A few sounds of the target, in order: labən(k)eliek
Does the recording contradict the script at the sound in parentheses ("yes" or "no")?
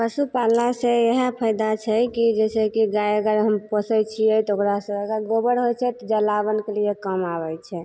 no